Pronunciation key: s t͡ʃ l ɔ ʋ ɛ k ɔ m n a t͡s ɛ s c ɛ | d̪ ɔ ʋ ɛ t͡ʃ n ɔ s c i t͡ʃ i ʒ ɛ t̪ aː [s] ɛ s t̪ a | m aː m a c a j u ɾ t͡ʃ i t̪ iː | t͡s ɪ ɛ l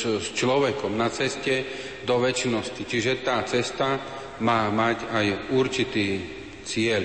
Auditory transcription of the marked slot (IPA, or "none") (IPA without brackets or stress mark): t͡s